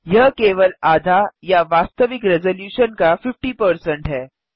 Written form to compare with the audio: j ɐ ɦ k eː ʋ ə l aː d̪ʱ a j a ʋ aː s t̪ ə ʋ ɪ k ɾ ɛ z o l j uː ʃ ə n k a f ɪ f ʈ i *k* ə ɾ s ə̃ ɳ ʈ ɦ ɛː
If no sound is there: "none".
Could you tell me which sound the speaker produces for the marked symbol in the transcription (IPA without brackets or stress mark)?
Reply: p